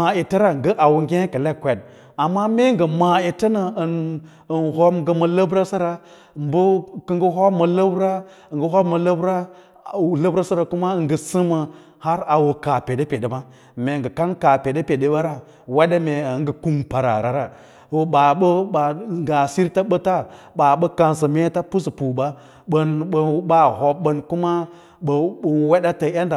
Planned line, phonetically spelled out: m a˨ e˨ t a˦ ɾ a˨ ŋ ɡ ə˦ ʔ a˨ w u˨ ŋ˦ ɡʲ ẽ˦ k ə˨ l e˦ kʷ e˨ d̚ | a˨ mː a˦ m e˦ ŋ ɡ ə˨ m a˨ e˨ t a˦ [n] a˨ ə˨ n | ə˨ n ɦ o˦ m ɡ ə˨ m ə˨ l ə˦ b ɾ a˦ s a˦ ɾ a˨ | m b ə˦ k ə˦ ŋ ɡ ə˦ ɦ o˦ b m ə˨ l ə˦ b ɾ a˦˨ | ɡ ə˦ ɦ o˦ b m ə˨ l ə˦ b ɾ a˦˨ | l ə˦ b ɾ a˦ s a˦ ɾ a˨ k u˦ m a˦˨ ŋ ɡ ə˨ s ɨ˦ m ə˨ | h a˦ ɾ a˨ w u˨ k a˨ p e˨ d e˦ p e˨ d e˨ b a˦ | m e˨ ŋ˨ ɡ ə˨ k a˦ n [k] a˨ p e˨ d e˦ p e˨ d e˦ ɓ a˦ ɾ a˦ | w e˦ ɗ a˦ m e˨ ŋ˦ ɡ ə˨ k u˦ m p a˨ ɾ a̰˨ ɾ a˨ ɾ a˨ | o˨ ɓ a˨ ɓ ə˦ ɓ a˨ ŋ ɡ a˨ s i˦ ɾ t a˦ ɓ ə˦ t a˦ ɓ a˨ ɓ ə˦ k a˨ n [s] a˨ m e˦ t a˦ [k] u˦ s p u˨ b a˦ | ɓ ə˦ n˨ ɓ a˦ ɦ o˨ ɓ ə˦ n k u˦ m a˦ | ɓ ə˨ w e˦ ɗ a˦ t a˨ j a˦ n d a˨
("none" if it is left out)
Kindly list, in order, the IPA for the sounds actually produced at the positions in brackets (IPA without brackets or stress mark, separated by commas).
n, k, s, p